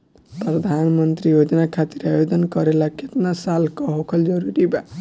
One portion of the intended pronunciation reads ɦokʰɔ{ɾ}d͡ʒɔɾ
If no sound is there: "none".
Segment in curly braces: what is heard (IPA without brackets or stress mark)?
l